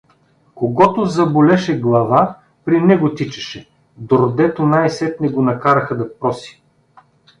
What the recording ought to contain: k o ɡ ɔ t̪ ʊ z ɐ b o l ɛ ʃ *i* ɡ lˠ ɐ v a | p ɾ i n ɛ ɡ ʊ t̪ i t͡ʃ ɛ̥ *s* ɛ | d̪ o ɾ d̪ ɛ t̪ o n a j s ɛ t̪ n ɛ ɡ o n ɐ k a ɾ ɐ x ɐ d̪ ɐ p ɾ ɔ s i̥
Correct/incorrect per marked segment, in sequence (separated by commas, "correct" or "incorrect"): incorrect, incorrect